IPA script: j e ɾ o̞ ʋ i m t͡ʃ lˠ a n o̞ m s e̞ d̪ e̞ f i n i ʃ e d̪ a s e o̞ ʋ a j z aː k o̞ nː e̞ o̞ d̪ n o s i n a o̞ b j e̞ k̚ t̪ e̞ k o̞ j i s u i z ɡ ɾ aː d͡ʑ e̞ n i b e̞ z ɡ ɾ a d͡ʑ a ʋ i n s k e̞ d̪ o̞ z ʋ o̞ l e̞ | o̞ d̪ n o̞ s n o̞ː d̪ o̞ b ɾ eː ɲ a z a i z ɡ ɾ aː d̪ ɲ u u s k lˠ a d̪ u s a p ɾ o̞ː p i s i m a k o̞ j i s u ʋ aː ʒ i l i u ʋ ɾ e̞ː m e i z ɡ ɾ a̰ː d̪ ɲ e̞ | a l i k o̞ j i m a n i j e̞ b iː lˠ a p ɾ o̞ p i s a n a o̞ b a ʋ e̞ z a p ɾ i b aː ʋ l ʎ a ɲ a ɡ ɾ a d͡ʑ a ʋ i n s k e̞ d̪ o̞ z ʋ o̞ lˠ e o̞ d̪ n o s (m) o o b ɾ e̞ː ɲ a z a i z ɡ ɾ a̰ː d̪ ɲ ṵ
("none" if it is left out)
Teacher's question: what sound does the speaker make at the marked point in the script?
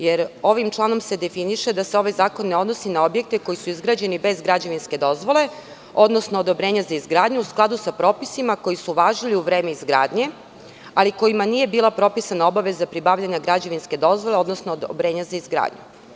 n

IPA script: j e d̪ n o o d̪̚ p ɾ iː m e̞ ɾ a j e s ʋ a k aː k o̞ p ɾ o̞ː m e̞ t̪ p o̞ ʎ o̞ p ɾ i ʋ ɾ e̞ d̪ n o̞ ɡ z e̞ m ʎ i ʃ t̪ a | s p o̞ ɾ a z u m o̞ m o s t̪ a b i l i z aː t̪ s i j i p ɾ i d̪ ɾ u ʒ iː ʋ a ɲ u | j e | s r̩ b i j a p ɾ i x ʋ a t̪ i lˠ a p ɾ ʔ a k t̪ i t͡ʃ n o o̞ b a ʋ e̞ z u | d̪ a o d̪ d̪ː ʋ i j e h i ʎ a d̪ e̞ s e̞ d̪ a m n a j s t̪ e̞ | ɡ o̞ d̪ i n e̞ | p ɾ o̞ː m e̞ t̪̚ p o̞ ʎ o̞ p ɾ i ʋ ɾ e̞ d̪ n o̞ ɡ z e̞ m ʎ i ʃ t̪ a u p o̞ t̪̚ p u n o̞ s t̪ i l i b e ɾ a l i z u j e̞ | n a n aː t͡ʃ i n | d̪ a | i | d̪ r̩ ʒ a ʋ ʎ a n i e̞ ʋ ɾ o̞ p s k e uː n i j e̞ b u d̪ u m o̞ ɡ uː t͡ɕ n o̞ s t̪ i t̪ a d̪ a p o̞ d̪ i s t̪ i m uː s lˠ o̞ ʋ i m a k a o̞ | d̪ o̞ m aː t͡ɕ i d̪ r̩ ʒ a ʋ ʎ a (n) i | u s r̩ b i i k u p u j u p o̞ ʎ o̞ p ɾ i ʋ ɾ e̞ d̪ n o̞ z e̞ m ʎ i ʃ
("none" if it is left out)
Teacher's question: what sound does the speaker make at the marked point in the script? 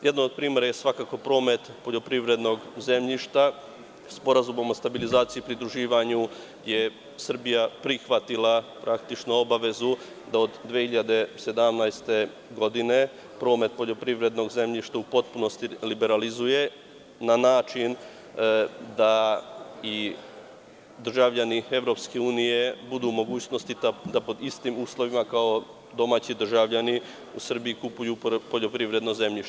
n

